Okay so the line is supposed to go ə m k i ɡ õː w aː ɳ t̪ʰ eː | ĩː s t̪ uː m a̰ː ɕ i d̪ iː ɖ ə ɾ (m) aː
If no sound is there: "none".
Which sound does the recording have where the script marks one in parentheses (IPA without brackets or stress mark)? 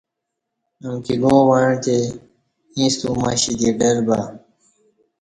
b